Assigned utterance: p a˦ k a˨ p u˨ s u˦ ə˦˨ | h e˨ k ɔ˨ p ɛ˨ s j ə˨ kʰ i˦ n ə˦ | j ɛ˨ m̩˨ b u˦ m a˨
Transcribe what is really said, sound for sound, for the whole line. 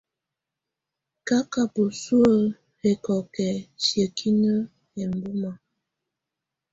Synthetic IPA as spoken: k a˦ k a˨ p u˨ s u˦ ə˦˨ | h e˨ k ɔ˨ k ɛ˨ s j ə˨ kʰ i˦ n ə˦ | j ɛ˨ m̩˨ b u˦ m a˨